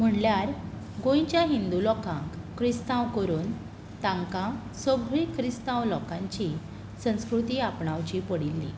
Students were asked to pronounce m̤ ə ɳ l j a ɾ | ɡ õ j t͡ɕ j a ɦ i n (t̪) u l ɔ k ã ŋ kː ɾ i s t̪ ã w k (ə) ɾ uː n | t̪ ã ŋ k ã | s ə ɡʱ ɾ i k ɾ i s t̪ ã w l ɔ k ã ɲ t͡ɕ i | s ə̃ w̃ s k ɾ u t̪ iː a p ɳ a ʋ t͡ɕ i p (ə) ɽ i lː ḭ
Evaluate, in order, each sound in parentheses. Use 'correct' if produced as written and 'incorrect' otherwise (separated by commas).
incorrect, correct, correct